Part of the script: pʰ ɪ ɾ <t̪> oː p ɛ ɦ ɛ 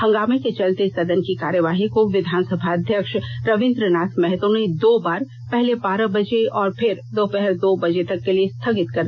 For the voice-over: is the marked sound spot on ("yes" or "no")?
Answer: no